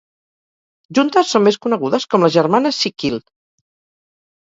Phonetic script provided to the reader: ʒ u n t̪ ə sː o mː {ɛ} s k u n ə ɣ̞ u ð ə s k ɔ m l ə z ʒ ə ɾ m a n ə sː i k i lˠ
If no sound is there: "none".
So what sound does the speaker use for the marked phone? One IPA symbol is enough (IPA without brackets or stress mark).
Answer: e